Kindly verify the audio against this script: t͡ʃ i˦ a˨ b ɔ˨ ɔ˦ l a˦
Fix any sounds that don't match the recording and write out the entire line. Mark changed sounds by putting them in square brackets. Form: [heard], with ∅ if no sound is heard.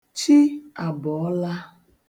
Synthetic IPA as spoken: t͡ʃ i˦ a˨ b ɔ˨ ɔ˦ l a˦